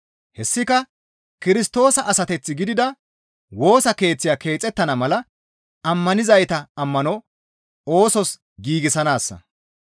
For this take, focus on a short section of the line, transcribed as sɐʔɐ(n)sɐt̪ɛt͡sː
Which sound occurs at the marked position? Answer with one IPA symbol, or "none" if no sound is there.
none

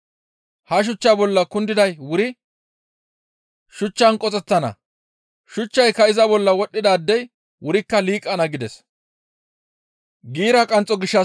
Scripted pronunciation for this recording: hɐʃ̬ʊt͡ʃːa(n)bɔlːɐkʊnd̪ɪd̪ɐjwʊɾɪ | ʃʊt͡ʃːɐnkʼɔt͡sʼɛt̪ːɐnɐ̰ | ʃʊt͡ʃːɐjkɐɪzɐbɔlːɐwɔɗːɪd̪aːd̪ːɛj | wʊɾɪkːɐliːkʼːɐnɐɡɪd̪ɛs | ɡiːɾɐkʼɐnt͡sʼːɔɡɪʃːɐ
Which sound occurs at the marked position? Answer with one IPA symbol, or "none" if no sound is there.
none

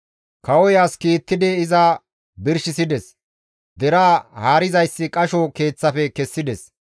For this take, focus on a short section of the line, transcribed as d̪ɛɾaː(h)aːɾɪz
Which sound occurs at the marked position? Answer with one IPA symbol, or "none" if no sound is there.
h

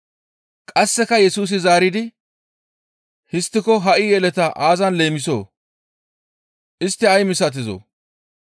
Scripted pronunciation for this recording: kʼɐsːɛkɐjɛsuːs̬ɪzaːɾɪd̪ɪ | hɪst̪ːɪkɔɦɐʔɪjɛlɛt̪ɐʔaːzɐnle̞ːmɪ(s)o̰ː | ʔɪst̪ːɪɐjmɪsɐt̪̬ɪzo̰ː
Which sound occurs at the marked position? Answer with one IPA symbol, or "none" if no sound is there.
s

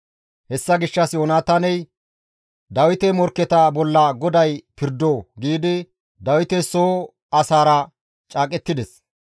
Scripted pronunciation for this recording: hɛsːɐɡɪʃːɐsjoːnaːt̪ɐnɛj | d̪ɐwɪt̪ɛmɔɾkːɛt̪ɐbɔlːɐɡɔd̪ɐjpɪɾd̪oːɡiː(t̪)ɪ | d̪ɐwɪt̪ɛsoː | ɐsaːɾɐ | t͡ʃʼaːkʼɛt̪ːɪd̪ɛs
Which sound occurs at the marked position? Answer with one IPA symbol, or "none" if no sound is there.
d̪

